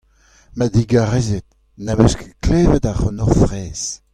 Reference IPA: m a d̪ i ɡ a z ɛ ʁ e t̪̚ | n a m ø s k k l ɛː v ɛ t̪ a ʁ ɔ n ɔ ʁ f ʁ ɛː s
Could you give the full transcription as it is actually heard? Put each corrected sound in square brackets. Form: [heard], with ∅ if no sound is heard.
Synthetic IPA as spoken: m a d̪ i ɡ a [ʁ] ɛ [z] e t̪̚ | n a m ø s k k l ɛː v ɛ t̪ a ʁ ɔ n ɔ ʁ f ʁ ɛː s